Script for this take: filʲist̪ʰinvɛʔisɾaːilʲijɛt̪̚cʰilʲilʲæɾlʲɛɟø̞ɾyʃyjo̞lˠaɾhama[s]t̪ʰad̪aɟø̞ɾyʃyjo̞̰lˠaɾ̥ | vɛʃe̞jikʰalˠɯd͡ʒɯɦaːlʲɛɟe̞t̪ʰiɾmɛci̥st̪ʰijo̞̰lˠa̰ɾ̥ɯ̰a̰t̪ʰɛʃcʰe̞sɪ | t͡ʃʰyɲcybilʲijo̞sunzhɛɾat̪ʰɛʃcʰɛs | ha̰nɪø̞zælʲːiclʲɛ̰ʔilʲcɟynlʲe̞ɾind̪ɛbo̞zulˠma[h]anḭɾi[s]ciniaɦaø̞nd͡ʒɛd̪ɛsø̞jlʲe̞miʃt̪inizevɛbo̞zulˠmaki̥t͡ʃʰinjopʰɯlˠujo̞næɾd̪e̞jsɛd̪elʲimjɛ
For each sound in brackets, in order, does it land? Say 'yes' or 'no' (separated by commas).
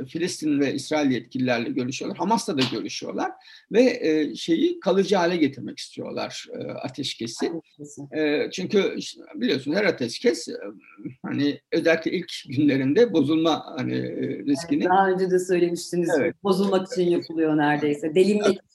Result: yes, yes, yes